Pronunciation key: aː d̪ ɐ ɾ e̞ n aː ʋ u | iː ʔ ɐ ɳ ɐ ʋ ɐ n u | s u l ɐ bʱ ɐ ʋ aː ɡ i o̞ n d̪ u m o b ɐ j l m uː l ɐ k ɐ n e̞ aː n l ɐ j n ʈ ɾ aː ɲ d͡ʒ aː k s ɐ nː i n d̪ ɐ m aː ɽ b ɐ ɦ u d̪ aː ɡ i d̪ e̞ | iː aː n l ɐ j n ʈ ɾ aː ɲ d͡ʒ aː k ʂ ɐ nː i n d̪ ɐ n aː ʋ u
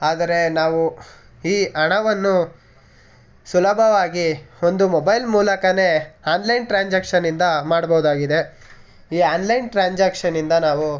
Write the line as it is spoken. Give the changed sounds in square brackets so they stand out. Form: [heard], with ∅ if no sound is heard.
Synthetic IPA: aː d̪ ɐ ɾ e̞ n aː ʋ u | iː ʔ ɐ ɳ ɐ ʋ ɐ [nː] u | s u l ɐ bʱ ɐ ʋ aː ɡ i o̞ n d̪ u m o b ɐ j l m uː l ɐ k ɐ n e̞ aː n l ɐ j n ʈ ɾ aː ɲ d͡ʒ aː k [ʂ] ɐ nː i n d̪ ɐ m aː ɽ b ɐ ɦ u d̪ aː ɡ i d̪ e̞ | iː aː n l ɐ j n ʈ ɾ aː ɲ d͡ʒ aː k ʂ ɐ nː i n d̪ ɐ n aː ʋ u